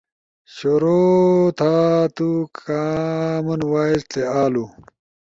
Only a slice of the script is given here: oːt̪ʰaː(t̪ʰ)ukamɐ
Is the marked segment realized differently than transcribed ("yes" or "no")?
yes